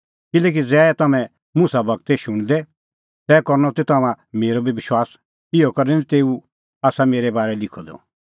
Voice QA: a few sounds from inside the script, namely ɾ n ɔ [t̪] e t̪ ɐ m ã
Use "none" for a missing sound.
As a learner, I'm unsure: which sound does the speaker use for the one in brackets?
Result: t̪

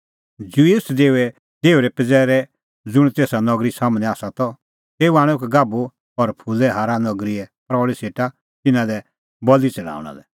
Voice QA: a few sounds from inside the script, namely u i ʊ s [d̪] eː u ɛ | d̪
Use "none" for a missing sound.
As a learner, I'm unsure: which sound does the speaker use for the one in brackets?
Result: d̪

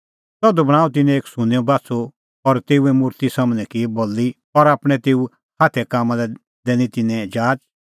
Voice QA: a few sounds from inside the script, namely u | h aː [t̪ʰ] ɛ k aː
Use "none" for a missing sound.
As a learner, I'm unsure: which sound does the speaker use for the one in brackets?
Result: t̪ʰ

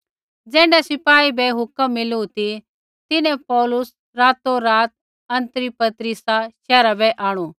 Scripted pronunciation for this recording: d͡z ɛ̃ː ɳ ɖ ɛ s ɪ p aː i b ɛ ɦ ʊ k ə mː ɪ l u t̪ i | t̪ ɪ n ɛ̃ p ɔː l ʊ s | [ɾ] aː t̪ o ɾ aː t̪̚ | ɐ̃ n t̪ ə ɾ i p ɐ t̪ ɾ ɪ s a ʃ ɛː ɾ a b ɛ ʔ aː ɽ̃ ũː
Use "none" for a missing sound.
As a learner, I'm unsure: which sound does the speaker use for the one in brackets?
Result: ɾ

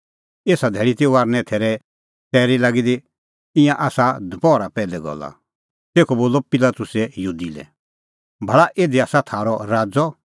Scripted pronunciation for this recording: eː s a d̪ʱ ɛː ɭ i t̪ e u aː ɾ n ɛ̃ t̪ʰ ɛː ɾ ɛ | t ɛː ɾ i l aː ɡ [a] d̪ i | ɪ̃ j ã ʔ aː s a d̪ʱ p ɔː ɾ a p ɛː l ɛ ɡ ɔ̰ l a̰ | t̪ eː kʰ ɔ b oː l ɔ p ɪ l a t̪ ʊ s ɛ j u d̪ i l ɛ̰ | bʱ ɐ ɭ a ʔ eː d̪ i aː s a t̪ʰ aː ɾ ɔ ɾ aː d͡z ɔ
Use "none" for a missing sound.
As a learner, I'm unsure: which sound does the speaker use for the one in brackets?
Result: i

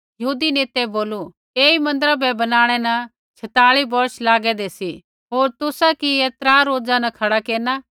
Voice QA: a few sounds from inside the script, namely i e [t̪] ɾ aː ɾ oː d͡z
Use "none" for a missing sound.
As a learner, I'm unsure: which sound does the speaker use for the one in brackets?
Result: t̪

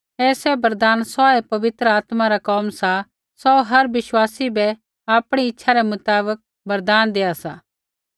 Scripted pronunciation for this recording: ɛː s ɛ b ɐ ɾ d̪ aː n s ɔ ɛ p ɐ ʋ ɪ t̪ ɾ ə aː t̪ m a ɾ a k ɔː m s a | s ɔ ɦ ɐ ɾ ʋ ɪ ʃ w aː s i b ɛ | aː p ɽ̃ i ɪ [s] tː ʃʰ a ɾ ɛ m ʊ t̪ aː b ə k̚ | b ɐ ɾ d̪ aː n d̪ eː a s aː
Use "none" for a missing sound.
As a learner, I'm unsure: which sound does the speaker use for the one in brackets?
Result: none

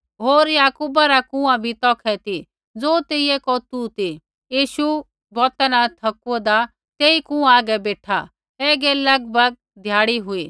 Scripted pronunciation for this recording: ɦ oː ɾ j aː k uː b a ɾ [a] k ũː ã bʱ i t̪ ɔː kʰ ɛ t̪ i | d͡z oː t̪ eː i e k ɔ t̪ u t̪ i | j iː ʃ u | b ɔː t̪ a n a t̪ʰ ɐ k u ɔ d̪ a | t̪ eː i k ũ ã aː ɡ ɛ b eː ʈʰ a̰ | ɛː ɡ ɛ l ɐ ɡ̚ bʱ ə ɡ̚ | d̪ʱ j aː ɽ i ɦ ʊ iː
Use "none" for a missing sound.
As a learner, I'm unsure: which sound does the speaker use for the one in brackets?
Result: a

